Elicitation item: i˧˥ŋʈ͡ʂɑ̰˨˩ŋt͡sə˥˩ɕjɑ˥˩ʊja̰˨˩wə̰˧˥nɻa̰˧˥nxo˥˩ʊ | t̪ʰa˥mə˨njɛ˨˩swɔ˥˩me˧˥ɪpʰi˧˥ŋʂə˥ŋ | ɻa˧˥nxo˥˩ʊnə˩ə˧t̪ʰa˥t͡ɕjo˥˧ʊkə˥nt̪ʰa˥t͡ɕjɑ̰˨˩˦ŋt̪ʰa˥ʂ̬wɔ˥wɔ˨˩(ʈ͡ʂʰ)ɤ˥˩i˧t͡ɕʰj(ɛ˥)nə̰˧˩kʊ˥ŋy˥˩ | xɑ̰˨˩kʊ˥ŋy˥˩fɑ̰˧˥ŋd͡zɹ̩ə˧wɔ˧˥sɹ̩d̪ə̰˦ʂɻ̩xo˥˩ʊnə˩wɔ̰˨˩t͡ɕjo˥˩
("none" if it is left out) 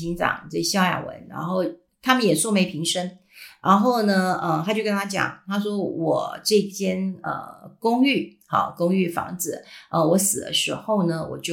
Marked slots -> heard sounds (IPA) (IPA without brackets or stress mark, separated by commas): ʈ͡ʂ, ɛ˥